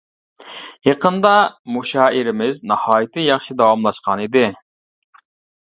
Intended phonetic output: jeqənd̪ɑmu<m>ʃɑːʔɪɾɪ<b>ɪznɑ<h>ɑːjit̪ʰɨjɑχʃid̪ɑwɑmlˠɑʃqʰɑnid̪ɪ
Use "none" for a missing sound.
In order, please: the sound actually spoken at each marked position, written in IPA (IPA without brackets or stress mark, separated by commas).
none, m, h